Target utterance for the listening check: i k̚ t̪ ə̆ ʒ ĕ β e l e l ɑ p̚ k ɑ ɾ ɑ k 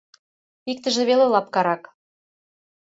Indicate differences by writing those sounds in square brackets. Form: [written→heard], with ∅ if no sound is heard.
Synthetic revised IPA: i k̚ t̪ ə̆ ʒ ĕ β e l e l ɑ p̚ k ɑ ɾ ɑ k